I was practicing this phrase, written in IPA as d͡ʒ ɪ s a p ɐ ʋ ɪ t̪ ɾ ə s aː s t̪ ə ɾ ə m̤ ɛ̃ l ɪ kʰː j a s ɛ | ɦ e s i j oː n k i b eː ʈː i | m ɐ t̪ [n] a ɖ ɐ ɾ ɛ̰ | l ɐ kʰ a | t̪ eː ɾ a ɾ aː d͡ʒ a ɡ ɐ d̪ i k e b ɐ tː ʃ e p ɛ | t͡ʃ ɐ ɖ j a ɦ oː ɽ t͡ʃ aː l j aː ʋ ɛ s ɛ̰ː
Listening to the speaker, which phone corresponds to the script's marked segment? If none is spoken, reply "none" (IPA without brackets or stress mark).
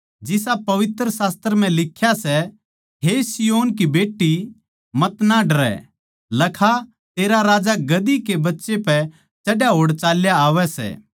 n